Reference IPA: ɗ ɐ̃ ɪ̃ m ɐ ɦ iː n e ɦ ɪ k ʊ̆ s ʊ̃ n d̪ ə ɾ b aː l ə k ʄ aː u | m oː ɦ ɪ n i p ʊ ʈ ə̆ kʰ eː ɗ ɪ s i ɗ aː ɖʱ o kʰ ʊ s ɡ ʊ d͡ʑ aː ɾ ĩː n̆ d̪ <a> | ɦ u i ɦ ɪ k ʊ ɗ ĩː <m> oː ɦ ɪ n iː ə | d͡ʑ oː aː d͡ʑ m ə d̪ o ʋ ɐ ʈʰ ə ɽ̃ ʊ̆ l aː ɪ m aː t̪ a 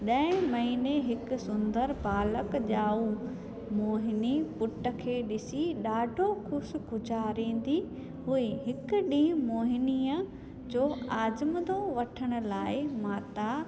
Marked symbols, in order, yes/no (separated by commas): no, yes